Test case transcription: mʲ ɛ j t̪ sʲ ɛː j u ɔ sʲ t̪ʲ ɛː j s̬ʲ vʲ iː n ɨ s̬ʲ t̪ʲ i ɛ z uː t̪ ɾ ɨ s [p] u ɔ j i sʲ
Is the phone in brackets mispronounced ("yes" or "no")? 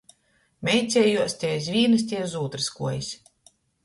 yes